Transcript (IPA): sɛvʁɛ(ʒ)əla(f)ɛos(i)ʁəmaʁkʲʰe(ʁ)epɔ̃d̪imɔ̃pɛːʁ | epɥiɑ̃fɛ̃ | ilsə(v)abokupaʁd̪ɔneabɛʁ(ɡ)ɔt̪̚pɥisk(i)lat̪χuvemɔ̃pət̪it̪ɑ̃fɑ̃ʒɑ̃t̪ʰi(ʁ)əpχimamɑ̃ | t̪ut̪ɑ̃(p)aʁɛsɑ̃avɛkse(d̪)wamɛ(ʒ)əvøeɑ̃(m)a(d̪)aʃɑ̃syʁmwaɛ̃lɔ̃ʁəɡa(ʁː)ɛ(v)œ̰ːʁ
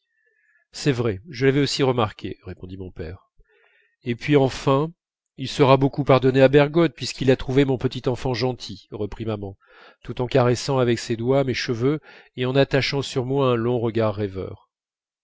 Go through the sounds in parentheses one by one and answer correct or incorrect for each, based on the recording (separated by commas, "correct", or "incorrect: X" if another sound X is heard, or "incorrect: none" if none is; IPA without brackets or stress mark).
correct, incorrect: v, correct, correct, incorrect: ʁ, correct, correct, correct, incorrect: k, correct, incorrect: ʃ, incorrect: n, incorrect: t̪, correct, correct